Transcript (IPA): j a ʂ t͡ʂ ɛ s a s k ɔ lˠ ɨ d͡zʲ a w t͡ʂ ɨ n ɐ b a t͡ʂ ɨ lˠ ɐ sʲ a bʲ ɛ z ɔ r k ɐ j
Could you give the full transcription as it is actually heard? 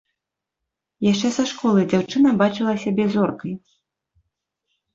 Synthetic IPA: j a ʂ t͡ʂ ɛ s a ʂ k ɔ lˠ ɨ d͡zʲ a w t͡ʂ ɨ n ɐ b a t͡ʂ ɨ lˠ ɐ sʲ a bʲ ɛ z ɔ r k ɐ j